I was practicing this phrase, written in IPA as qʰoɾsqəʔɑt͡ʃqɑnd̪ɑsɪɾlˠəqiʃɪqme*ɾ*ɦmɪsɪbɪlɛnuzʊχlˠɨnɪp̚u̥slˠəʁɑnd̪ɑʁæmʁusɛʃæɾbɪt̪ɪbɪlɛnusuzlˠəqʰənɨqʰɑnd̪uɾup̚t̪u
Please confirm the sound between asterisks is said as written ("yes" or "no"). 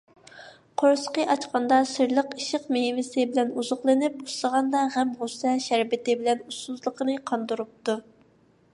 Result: no